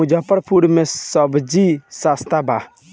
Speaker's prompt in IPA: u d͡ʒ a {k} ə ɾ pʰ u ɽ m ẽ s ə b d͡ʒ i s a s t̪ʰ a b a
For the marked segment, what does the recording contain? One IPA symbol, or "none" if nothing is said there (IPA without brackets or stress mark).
p